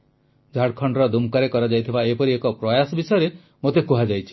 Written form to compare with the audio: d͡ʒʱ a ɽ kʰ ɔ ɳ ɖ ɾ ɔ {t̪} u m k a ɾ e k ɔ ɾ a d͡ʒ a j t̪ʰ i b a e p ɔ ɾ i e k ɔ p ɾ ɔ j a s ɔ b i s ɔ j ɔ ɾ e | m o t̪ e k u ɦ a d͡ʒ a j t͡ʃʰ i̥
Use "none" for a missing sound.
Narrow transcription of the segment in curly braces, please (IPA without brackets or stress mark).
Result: d̪